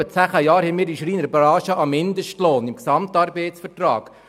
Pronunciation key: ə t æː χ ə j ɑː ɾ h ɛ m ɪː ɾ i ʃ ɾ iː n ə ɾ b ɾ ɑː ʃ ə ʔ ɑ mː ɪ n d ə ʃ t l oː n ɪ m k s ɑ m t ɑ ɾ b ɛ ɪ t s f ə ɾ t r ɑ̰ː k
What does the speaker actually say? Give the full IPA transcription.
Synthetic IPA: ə t͡s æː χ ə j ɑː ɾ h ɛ m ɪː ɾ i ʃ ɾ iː n ə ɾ b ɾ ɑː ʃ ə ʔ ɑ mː ɪ n d ə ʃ t l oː n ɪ m k s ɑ m t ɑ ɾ b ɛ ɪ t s f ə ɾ t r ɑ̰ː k